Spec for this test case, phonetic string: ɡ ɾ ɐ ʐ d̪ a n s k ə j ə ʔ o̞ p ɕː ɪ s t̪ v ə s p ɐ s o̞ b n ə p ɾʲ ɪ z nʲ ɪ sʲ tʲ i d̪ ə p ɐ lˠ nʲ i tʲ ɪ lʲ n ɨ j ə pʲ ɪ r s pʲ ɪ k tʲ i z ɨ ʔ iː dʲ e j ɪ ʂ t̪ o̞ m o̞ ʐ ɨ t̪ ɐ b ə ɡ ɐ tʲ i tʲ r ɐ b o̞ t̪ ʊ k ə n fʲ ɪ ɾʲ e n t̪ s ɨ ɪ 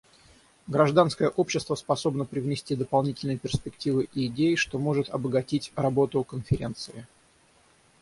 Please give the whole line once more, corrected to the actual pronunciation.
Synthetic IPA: ɡ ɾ ɐ ʐ d̪ a n s k ə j ə ʔ o̞ p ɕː ɪ s t̪ v ə s p ɐ s o̞ b n ə p ɾʲ ɪ v nʲ ɪ sʲ tʲ i d̪ ə p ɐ lˠ nʲ i tʲ ɪ lʲ n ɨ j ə pʲ ɪ r s pʲ ɪ k tʲ i v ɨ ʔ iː dʲ e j ɪ ʂ t̪ o̞ m o̞ ʐ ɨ t̪ ɐ b ə ɡ ɐ tʲ i tʲ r ɐ b o̞ t̪ ʊ k ə n fʲ ɪ ɾʲ e n t̪ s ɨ ɪ